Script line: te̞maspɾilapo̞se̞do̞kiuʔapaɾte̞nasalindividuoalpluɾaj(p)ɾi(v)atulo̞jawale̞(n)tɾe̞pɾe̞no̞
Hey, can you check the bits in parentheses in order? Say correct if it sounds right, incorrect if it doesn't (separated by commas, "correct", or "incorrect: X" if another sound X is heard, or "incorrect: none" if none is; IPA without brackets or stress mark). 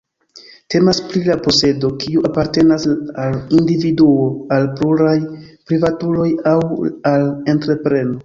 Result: correct, correct, correct